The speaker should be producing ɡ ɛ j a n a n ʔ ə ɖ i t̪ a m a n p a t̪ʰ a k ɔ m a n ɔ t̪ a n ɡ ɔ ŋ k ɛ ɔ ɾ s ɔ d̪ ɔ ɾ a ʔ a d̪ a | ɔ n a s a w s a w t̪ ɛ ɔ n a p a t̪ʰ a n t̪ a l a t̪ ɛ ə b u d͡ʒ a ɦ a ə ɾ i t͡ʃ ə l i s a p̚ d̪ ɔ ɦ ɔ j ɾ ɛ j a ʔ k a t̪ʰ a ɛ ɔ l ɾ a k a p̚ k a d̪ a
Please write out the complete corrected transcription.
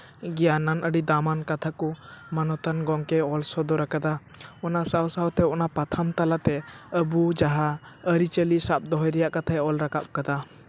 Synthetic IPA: ɡ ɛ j a n a n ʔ ə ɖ i d̪ a m a n k a t̪ʰ a k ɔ m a n ɔ t̪ a n ɡ ɔ ŋ k ɛ ɔ l s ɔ d̪ ɔ ɾ a k a d̪ a | ɔ n a s a w s a w t̪ ɛ ɔ n a p a t̪ʰ a m t̪ a l a t̪ ɛ ə b u d͡ʒ a ɦ a ə ɾ i t͡ʃ ə l i s a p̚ d̪ ɔ ɦ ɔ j ɾ ɛ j a ʔ k a t̪ʰ a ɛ ɔ l ɾ a k a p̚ k a d̪ a